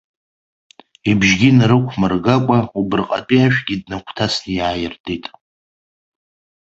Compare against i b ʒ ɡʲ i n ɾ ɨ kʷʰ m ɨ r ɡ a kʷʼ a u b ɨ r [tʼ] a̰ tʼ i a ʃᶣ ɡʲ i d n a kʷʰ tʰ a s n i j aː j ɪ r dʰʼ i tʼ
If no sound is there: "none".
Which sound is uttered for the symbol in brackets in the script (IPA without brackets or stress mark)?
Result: qʼ